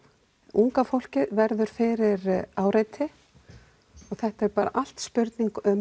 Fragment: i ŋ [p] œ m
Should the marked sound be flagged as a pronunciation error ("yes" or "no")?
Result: yes